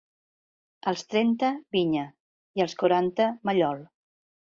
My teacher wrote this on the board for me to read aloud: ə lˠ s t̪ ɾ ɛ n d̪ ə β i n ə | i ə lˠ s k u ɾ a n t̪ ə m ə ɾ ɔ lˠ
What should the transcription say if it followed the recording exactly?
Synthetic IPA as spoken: ə lˠ s t̪ ɾ ɛ n t̪ ə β i ɲ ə | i ə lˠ s k u ɾ a n t̪ ə m ə ʎ ɔ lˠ